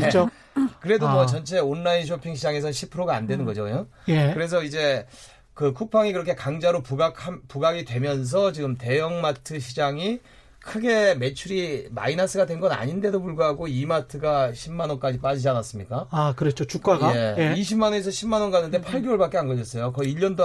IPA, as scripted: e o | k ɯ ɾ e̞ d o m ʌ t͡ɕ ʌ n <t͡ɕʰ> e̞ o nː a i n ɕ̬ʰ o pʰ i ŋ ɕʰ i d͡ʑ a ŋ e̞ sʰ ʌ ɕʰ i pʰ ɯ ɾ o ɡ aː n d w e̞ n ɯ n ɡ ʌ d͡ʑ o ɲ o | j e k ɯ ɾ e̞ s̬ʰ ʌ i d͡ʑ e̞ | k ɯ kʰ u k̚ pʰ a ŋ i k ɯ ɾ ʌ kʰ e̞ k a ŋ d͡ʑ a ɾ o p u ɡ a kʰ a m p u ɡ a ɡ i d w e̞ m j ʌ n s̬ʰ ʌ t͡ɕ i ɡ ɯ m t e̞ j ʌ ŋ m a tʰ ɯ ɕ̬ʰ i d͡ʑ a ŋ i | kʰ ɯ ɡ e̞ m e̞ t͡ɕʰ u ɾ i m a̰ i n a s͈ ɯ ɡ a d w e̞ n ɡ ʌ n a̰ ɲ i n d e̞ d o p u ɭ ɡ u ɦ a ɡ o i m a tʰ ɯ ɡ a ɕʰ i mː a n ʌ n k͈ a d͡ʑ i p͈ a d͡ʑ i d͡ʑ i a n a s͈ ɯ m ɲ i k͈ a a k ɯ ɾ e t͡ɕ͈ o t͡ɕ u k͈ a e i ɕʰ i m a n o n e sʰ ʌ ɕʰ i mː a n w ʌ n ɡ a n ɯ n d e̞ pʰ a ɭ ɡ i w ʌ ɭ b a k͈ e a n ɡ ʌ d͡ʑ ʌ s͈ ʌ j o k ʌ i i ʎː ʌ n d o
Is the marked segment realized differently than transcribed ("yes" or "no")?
no